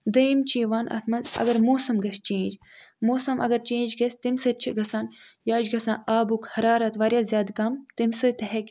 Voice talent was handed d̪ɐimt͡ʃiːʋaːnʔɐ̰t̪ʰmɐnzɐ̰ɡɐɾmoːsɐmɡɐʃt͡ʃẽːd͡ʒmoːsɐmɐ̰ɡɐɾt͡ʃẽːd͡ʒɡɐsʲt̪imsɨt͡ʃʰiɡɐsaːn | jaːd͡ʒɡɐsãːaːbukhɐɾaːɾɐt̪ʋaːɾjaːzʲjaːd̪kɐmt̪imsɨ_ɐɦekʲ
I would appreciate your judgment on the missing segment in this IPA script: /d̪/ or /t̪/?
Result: t̪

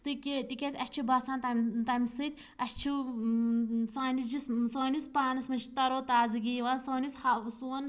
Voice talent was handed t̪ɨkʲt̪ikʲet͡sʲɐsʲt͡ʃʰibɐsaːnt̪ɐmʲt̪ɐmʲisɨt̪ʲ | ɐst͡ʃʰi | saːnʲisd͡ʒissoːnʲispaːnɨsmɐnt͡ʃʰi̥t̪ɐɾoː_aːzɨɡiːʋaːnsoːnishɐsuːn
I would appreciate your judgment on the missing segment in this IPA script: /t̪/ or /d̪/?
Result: t̪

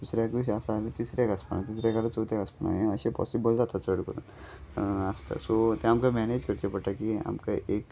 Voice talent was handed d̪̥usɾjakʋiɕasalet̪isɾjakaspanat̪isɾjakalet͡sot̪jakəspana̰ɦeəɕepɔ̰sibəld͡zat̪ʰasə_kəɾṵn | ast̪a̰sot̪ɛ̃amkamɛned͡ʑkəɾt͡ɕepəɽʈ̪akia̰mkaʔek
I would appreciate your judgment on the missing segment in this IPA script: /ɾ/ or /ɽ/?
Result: ɽ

